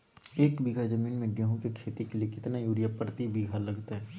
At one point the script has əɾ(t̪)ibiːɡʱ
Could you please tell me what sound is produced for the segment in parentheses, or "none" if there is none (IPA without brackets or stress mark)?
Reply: t̪